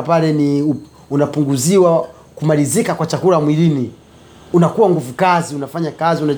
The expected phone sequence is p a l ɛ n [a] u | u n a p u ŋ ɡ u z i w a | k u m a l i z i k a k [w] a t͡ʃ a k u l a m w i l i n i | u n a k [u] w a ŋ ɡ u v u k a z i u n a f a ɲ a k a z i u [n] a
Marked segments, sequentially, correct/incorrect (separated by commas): incorrect, correct, correct, correct